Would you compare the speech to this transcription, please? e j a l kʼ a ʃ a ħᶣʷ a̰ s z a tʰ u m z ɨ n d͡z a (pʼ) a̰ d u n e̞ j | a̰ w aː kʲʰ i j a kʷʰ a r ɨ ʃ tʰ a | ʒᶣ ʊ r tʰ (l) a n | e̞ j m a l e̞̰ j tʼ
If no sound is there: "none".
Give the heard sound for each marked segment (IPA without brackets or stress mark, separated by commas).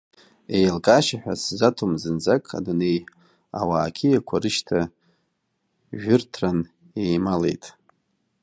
kʼ, r